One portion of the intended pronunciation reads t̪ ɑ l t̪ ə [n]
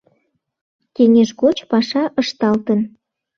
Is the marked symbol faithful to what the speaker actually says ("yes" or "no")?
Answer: yes